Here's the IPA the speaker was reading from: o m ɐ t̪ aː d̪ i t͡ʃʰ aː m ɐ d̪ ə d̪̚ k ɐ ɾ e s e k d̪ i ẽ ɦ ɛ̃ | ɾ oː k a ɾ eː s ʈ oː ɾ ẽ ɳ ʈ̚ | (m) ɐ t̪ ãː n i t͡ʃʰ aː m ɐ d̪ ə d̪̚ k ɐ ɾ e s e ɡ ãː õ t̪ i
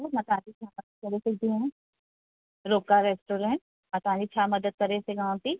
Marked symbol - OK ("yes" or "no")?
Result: yes